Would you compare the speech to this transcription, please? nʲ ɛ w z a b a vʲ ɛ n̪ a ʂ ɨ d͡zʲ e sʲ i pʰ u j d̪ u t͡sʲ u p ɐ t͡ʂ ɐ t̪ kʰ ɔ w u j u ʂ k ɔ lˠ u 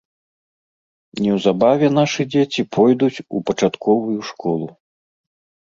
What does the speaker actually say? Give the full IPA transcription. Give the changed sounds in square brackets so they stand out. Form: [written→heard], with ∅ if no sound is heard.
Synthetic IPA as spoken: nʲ ɛ w z a b a vʲ ɛ n̪ a ʂ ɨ d͡zʲ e [sʲ→t͡sʲ] i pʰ [u→ɔ] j d̪ u t͡sʲ u p ɐ t͡ʂ [ɐ→a] t̪ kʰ ɔ [w→v] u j u ʂ k ɔ lˠ u

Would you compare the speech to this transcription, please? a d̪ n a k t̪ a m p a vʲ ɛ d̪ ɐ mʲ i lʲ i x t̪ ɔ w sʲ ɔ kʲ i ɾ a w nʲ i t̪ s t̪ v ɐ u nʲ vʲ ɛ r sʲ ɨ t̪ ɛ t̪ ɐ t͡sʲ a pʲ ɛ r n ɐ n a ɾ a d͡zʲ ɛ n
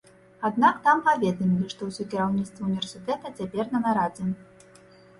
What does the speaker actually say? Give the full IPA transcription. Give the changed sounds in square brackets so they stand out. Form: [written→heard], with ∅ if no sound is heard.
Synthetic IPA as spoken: a d̪ n a k t̪ a m p a vʲ ɛ d̪ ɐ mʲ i lʲ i [x→ʂ] t̪ ɔ w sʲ ɔ kʲ i ɾ a w nʲ i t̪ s t̪ v ɐ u nʲ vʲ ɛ r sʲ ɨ t̪ ɛ t̪ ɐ t͡sʲ a pʲ ɛ r n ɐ n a ɾ a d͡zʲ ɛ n

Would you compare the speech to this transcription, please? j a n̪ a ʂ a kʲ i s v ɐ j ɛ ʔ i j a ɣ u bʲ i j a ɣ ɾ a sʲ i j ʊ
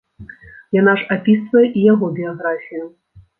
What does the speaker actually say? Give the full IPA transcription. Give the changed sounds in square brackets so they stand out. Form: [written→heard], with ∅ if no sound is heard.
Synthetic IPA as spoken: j a n̪ a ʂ a [kʲ→pʲ] i s v ɐ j ɛ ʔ i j a ɣ [u→ɔ] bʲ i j a ɣ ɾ a [sʲ→fʲ] i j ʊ

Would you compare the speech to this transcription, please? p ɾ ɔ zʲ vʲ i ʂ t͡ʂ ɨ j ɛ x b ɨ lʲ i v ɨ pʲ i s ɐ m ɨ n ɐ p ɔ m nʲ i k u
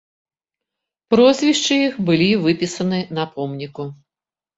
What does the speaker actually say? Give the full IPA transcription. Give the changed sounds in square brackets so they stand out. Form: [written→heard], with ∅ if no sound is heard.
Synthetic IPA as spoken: p ɾ ɔ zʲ vʲ i ʂ t͡ʂ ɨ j [ɛ→i] x b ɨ lʲ i v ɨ pʲ i s ɐ [m→n] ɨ n ɐ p ɔ m nʲ i k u

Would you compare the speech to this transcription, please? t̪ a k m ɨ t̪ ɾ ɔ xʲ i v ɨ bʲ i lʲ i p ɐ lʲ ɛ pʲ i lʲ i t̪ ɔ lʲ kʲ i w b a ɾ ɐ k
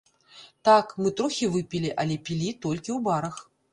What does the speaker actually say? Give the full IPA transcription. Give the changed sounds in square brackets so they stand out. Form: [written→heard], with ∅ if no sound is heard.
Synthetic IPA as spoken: t̪ a k m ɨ t̪ ɾ ɔ xʲ i v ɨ [bʲ→pʲ] i lʲ i [p→ʔ] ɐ lʲ ɛ pʲ i lʲ i t̪ ɔ lʲ kʲ i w b a ɾ ɐ [k→x]

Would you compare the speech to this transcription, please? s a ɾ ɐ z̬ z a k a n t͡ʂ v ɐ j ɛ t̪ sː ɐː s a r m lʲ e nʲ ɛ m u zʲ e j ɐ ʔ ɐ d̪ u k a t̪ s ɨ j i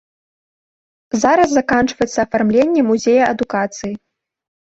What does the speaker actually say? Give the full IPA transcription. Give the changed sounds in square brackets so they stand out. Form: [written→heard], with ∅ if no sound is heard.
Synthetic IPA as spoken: [s→z] a ɾ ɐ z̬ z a k a n t͡ʂ v ɐ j ɛ t̪ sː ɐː [s→f] a r m lʲ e [nʲ→nʲː] ɛ m u zʲ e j ɐ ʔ ɐ d̪ u k a t̪ s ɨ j i

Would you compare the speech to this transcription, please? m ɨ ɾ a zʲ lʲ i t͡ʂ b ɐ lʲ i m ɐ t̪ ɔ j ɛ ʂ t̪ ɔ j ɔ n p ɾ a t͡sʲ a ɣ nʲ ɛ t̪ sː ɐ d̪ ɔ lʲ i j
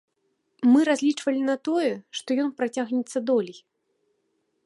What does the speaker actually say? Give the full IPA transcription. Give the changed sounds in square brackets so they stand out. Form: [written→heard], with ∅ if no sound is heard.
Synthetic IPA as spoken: m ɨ ɾ a zʲ lʲ i t͡ʂ [b→v] ɐ lʲ i [m→n] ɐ t̪ ɔ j ɛ ʂ t̪ ɔ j ɔ n p ɾ a t͡sʲ a ɣ nʲ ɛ t̪ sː ɐ d̪ ɔ lʲ i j

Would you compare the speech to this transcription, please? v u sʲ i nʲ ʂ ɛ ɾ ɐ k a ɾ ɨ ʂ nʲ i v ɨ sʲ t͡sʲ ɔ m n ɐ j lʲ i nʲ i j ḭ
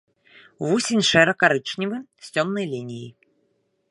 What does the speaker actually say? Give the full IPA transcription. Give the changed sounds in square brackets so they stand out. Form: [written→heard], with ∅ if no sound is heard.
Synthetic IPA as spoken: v u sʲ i nʲ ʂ ɛ ɾ ɐ k a ɾ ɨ [ʂ→t͡ʂ] nʲ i v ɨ sʲ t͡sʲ ɔ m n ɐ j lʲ i nʲ i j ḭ

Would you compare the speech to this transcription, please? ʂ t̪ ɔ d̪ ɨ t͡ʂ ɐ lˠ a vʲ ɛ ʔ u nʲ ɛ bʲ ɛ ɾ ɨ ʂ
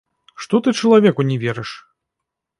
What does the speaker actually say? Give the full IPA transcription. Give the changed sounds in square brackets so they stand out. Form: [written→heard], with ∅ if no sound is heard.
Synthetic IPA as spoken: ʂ t̪ ɔ [d̪→t̪] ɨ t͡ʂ ɐ lˠ a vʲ ɛ [ʔ→k] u nʲ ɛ [bʲ→vʲ] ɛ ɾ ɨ ʂ

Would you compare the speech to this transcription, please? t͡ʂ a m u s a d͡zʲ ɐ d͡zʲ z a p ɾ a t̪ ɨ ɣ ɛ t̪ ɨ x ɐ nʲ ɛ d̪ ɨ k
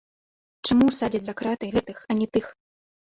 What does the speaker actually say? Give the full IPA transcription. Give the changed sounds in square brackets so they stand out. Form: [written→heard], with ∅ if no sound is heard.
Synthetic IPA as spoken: t͡ʂ a m u s a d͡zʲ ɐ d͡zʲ z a [p→k] ɾ a t̪ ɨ ɣ ɛ t̪ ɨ x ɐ nʲ ɛ [d̪→t̪] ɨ [k→x]

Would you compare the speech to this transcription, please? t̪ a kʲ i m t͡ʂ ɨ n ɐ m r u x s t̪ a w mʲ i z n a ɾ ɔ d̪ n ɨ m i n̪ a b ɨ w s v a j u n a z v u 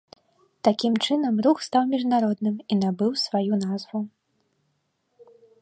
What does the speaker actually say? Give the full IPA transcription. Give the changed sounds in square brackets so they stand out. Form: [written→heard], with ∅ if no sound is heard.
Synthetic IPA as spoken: t̪ a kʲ i m t͡ʂ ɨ n ɐ m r u x s t̪ a w mʲ i [z→ʐ] n a ɾ ɔ d̪ n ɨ m i n̪ a b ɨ w s v a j u n a z v u

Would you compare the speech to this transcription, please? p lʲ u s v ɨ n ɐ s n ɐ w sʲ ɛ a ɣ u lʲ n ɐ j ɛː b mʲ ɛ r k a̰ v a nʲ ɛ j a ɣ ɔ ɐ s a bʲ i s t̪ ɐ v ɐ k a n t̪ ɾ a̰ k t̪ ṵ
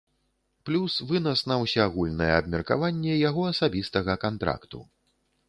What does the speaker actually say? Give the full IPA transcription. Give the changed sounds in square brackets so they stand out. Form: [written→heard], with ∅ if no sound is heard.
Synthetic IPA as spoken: p lʲ u s v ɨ n ɐ s n ɐ w sʲ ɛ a ɣ u lʲ n ɐ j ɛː b mʲ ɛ r k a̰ v a [nʲ→nʲː] ɛ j a ɣ ɔ ɐ s a bʲ i s t̪ ɐ [v→ɣ] ɐ k a n t̪ ɾ a̰ k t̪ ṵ

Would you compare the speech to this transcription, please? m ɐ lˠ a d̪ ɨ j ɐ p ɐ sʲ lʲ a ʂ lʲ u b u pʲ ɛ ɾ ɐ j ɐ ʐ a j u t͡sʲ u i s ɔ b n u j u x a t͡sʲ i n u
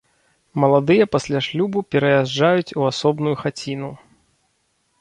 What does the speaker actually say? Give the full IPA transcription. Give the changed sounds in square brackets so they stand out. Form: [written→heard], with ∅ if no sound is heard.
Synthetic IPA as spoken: m ɐ lˠ a d̪ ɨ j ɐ p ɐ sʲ lʲ a ʂ lʲ u b u pʲ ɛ ɾ ɐ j [ɐ→a] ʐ a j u t͡sʲ u [i→a] s ɔ b n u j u x a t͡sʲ i n u

